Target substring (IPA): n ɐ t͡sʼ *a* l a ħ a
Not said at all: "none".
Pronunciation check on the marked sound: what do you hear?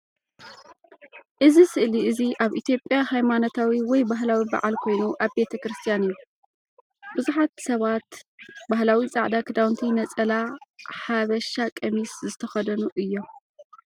ɐ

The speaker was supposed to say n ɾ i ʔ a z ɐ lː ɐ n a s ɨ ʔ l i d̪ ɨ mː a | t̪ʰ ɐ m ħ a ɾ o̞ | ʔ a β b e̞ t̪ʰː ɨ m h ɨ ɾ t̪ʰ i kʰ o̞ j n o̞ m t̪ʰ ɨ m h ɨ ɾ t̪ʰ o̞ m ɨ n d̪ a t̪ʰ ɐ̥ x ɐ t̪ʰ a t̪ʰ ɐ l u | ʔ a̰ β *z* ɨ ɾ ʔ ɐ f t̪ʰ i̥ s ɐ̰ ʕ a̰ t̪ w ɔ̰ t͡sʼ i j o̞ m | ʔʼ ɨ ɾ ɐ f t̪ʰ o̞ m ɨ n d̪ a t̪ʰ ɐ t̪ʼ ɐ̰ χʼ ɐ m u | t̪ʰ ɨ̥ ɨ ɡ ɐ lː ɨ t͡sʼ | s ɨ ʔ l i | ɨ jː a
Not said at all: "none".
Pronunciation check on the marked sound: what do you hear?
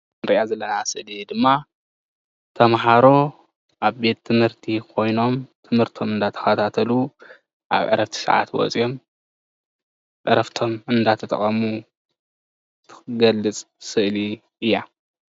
ʕ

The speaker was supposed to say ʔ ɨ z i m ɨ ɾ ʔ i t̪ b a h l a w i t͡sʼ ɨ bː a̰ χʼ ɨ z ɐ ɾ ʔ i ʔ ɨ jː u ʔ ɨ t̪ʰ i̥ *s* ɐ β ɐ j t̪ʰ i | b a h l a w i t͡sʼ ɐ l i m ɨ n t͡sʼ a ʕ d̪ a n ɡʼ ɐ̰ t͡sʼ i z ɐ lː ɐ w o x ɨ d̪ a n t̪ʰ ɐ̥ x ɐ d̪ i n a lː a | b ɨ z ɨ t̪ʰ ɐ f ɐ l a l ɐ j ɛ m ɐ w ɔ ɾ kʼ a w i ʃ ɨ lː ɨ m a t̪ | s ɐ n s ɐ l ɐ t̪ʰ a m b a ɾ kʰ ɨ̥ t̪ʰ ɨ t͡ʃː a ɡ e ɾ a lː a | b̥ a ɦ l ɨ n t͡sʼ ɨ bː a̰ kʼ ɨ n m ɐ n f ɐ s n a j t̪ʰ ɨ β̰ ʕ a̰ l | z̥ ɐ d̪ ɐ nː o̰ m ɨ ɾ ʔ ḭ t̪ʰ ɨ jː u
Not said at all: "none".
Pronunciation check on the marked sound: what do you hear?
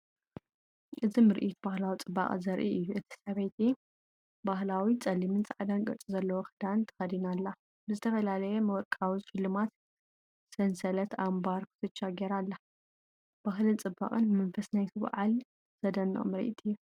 s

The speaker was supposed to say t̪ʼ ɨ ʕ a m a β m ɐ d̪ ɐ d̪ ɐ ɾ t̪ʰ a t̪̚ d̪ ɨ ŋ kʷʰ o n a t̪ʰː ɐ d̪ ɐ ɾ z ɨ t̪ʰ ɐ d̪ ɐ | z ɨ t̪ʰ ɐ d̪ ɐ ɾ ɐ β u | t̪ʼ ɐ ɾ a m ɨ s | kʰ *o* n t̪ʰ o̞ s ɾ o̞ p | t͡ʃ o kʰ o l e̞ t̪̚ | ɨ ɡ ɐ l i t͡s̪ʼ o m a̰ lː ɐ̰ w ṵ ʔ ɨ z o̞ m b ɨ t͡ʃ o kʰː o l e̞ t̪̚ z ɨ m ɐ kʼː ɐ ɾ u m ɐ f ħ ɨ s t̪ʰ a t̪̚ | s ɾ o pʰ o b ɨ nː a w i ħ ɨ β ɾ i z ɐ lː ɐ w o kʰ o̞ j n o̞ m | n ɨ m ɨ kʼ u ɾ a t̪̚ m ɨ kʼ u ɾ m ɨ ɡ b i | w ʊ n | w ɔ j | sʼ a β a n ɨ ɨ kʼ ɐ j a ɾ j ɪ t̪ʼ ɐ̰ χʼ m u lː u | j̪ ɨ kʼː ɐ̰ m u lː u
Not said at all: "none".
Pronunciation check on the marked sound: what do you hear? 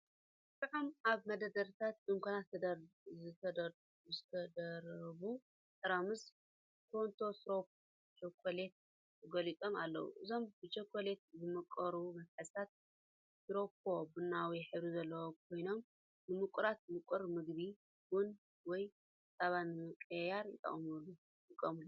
o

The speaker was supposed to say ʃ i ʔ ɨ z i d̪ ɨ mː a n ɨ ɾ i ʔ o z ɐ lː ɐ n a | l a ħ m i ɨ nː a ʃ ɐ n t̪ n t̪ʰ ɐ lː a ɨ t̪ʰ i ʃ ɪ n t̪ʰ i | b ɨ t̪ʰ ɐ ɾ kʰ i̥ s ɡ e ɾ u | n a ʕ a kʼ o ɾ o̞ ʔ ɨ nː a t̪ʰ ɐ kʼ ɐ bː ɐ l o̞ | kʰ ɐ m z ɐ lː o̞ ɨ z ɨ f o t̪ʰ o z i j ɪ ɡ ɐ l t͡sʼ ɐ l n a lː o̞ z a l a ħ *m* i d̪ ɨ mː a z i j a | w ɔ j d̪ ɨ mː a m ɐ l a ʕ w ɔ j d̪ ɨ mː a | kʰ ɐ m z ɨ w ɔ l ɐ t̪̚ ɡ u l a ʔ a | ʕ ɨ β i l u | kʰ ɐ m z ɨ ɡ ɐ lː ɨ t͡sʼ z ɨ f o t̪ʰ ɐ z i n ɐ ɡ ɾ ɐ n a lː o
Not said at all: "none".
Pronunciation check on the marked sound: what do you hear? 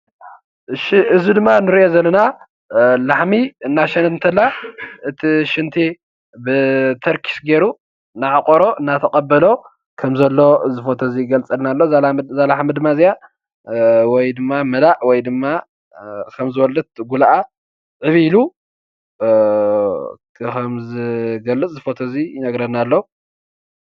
m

